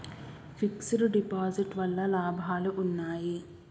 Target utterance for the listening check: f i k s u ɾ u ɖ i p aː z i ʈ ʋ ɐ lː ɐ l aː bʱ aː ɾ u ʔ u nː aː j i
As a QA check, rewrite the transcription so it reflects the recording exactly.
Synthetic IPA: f i k s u ɾ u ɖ i p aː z i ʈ ʋ ɐ lː ɐ l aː bʱ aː l u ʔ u nː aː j i